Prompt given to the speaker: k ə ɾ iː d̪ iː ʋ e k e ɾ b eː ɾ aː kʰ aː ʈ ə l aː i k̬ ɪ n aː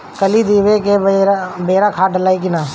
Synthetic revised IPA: k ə l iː d̪ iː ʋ e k e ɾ b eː ɾ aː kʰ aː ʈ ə l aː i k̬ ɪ n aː